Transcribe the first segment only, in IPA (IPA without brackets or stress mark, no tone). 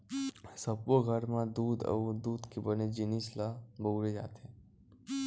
s